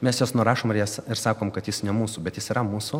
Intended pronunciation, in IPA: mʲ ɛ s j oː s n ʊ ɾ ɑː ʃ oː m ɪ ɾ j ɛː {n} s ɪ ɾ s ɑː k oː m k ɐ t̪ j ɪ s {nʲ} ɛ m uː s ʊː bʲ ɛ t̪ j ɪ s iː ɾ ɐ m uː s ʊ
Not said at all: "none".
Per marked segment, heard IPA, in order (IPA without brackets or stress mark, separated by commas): none, nʲ